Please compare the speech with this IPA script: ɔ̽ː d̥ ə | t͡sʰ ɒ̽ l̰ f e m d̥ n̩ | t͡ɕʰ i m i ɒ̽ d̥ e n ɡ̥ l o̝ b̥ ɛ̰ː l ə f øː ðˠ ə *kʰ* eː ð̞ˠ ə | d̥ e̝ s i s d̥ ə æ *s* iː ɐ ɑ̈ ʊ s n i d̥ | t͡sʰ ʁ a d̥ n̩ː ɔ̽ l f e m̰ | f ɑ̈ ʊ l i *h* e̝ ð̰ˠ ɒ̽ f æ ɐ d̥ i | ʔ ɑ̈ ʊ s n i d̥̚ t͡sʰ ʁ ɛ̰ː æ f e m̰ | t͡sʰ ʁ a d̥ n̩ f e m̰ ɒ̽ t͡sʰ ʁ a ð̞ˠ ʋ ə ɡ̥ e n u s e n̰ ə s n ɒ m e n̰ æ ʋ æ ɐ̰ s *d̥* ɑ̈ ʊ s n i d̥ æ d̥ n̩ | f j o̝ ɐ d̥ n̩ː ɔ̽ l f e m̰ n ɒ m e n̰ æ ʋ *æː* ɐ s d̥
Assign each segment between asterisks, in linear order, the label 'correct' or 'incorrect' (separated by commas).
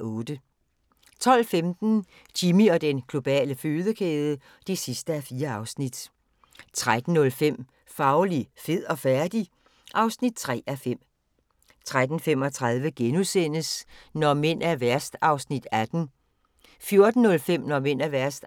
correct, incorrect, incorrect, correct, incorrect